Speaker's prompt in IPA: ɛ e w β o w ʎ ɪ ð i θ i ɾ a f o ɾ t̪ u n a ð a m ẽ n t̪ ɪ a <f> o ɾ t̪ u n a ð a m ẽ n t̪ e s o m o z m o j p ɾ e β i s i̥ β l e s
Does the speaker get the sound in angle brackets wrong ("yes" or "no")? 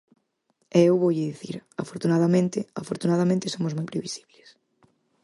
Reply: no